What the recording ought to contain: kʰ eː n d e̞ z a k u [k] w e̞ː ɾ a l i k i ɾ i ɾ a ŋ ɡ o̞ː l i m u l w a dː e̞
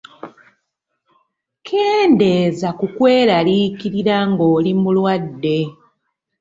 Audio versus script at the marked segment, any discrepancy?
no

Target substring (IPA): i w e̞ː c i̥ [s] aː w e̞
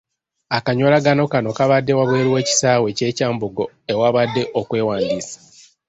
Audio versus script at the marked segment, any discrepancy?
no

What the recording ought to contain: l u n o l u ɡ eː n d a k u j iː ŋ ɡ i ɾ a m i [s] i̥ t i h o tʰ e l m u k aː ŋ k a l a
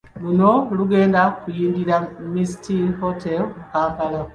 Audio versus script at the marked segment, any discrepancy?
no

